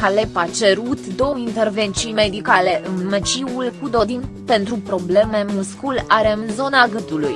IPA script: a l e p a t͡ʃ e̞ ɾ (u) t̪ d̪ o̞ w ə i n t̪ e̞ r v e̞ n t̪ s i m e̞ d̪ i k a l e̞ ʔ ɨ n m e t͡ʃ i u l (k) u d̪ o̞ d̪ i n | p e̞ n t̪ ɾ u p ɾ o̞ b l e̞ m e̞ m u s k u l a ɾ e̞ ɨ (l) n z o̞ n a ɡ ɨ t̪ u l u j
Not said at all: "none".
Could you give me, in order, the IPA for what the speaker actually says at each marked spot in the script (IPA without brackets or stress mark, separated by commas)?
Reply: u, k, none